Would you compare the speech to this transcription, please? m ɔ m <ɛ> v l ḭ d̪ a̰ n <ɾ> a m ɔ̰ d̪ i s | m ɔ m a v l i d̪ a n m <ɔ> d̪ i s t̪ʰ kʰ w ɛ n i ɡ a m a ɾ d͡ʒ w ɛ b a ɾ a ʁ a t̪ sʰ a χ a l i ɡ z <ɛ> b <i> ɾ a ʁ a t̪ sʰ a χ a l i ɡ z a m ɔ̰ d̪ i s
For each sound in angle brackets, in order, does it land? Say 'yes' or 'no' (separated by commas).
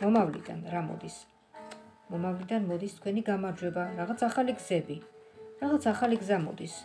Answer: no, yes, yes, yes, yes